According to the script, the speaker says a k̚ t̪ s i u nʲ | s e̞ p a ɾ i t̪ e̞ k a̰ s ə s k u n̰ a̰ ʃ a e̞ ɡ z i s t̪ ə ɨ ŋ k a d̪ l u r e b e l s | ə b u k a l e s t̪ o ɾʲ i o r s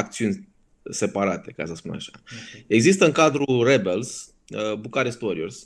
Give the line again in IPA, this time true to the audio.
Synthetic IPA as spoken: a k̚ t̪ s i u nʲ | s e̞ p a ɾ a t̪ e̞ k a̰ s ə s p u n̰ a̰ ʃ a e̞ ɡ z i s t̪ ə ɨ ŋ k a d̪ ɾ u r e b e l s | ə b u k a ɾ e s t̪ o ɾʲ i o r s